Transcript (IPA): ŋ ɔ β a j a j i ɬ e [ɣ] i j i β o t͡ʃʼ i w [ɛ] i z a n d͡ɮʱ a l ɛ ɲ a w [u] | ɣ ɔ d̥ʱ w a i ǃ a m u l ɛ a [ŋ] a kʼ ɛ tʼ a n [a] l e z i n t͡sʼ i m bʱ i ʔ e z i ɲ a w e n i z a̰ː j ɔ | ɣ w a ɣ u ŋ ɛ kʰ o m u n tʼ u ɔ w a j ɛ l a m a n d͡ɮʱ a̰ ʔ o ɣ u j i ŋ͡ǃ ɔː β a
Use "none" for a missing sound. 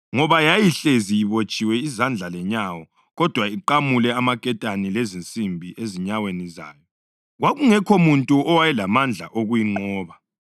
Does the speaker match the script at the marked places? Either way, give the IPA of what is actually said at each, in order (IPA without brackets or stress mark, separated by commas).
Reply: z, ɛ, ɔ, m, i